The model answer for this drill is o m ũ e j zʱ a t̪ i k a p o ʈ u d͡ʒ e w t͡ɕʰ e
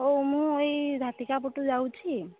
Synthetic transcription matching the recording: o m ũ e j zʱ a t̪ i k a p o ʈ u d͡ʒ a w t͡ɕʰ i